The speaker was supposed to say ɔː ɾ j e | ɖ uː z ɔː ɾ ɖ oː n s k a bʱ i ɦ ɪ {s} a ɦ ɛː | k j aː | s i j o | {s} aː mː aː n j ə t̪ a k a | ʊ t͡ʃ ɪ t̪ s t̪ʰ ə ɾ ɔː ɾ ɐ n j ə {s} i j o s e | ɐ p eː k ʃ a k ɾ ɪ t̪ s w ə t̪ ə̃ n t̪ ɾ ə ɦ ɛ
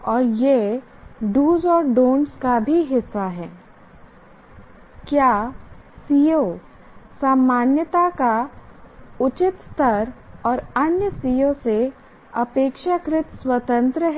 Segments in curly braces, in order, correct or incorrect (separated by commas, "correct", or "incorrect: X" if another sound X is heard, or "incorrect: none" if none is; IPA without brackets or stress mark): incorrect: sː, correct, correct